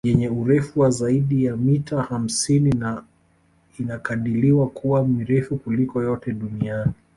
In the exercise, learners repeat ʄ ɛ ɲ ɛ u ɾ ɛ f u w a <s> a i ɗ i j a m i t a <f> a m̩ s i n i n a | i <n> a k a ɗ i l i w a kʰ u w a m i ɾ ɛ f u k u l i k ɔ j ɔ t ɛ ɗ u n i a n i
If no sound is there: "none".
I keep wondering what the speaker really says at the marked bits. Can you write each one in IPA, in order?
z, h, n

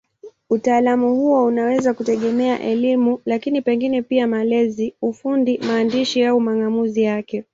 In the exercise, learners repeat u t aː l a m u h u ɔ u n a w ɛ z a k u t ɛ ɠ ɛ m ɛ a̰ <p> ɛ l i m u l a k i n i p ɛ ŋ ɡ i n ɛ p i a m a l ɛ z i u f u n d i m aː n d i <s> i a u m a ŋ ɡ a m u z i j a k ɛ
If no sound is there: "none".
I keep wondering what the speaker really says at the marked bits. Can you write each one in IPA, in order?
ʔ, ʃ

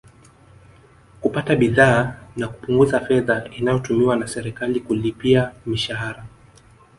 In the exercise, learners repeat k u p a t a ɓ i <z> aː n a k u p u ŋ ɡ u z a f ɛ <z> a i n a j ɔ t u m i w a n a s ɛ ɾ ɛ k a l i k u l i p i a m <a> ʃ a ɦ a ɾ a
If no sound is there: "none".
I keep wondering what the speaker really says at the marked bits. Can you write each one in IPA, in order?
ð, ð, i

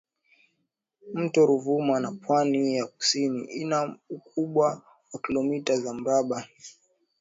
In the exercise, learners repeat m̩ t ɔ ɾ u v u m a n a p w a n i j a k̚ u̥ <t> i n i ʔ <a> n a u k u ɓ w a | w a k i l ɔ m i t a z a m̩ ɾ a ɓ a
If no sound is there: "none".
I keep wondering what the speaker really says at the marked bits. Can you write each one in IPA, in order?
s, i

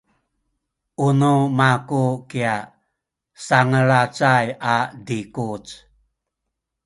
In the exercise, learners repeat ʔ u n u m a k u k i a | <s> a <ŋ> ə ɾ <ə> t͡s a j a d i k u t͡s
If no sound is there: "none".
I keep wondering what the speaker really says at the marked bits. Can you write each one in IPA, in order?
s, ŋ, a

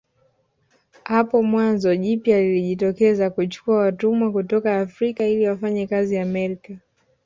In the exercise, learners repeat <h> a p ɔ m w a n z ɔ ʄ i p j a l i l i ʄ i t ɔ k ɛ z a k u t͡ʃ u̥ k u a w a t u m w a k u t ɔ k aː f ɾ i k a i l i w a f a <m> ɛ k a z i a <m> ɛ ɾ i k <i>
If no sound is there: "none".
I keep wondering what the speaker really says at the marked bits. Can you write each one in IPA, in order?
h, ɲ, m, a

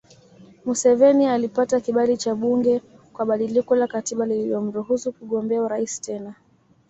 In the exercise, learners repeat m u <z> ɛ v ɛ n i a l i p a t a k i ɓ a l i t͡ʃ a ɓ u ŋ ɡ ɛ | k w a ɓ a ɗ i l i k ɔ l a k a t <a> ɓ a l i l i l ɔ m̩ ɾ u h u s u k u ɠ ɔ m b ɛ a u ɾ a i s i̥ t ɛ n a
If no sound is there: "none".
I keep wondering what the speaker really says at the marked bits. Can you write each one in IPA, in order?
s, i

